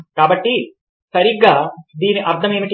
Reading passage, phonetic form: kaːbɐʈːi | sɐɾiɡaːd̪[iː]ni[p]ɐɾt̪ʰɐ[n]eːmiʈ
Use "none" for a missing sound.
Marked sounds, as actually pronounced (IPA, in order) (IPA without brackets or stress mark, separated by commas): iː, ʔ, m